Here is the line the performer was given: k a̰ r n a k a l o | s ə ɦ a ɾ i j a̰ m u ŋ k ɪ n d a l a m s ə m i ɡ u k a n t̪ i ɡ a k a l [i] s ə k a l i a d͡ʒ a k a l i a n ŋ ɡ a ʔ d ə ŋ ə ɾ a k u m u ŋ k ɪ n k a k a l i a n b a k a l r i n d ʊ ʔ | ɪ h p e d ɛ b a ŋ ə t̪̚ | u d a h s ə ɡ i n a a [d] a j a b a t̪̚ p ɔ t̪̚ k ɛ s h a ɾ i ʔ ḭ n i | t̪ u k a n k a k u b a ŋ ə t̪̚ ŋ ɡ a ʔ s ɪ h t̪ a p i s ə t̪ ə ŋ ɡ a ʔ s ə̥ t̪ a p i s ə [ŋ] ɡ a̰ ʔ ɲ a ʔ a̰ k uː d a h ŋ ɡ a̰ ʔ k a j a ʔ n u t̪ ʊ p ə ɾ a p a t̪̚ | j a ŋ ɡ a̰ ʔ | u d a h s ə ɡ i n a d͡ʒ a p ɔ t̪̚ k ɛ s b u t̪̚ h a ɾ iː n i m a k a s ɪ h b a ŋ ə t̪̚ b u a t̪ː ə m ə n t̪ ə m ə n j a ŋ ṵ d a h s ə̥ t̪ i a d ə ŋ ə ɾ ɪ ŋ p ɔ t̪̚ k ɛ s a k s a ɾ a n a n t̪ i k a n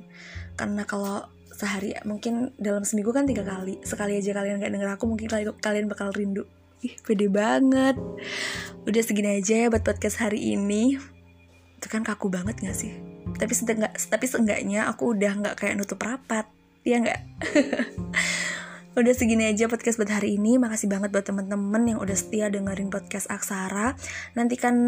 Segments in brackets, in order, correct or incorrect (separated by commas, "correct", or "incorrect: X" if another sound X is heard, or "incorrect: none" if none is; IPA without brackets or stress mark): correct, incorrect: d͡ʒ, correct